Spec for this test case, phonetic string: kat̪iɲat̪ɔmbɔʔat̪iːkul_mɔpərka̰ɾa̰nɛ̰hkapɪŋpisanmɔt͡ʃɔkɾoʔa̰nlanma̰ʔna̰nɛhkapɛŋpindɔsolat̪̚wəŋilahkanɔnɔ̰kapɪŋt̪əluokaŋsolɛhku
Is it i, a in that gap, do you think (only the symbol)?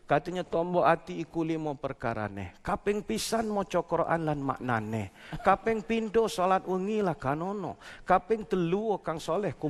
i